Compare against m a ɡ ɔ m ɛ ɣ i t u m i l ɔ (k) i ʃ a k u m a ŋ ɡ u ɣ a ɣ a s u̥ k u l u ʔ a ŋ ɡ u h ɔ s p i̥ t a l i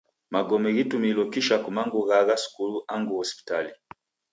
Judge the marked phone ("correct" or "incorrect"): correct